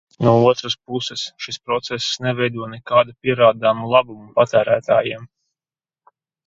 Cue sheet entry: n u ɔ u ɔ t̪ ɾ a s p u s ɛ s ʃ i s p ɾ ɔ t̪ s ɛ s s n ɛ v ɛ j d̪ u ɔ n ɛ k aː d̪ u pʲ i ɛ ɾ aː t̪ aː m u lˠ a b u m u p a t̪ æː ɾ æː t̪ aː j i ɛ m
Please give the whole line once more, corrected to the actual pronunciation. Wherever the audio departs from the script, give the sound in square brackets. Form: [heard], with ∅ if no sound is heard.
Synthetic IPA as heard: n u ɔ u ɔ t̪ ɾ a s p u s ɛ s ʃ i s p ɾ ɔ t̪ s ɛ s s n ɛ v ɛ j d̪ u ɔ n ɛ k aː d̪ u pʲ i ɛ ɾ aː [d̪] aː m u lˠ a b u m u p a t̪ æː ɾ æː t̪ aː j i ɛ m